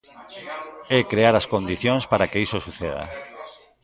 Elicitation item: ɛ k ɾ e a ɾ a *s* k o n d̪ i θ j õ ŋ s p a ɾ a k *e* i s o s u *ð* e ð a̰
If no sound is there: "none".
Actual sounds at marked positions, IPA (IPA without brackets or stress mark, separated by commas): s, e, θ